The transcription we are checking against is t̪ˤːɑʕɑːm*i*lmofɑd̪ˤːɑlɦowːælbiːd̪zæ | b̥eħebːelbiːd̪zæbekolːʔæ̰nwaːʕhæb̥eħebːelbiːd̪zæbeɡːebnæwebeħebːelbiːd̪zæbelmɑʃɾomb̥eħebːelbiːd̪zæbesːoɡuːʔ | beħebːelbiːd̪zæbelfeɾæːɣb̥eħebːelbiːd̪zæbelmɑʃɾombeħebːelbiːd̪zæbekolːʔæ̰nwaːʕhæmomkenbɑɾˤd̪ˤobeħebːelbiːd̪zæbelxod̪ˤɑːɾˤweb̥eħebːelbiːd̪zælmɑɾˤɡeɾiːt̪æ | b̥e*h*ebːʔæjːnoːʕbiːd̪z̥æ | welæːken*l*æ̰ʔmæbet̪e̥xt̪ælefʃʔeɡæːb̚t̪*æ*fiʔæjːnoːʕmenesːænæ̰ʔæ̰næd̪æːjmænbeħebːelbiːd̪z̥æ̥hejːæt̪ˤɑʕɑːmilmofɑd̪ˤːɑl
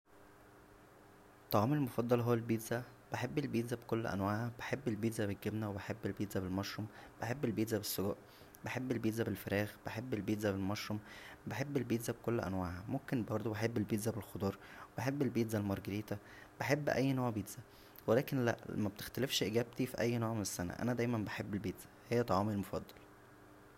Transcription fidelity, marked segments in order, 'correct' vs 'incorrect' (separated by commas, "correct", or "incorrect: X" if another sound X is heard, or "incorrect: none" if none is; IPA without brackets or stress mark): incorrect: e, incorrect: ħ, correct, incorrect: i